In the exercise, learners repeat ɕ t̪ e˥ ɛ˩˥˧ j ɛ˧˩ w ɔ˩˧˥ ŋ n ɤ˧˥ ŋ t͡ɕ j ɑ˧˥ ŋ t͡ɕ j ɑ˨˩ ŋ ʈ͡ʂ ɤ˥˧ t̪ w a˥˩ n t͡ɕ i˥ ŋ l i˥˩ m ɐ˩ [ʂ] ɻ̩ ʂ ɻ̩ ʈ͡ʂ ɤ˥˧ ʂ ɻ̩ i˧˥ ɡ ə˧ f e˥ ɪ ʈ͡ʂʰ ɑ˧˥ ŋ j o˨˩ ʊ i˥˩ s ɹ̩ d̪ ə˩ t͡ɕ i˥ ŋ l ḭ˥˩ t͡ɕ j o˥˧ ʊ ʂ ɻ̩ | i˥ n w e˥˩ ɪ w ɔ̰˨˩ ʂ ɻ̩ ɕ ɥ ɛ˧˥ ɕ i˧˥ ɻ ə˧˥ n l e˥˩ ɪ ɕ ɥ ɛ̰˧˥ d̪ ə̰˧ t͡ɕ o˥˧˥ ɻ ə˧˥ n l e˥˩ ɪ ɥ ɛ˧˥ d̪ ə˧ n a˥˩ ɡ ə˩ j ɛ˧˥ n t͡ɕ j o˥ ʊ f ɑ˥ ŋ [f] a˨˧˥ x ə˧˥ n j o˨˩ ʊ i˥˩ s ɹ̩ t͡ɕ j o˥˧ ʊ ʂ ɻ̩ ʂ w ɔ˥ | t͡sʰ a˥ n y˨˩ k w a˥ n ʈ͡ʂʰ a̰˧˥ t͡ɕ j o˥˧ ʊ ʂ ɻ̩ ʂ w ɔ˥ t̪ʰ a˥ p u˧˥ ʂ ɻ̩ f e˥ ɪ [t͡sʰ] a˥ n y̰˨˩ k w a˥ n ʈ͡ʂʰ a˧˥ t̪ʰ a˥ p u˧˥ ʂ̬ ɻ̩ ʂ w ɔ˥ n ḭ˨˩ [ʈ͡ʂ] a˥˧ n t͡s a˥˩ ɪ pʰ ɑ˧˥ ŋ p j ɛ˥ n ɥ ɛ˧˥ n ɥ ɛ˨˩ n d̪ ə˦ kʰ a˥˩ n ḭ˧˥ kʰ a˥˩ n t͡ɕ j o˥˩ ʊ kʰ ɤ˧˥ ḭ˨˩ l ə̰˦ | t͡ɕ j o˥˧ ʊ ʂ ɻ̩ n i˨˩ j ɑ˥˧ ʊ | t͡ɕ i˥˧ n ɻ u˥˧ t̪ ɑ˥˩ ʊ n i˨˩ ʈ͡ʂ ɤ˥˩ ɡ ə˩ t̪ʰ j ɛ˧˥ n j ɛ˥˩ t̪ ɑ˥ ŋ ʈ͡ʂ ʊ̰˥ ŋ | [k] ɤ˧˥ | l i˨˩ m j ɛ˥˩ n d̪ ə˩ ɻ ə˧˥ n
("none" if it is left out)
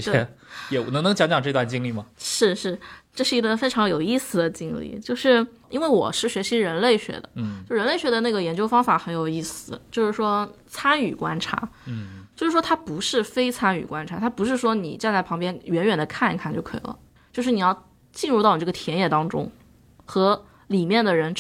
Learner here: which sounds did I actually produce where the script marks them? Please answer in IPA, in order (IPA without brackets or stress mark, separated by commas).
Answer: ʂ, f, t͡sʰ, ʈ͡ʂ, x